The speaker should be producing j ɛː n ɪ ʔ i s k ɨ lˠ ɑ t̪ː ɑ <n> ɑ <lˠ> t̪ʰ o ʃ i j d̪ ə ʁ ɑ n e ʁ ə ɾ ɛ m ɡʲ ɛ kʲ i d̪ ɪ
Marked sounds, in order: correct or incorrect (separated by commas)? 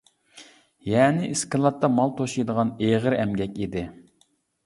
incorrect, correct